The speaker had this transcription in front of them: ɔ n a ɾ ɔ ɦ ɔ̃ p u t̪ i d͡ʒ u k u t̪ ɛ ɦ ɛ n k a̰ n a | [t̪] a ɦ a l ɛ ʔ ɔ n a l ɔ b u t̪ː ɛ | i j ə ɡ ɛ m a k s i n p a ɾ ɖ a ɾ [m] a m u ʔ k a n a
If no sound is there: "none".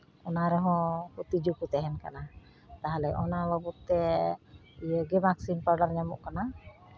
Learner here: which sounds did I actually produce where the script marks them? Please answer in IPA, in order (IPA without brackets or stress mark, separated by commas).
t̪, ɲ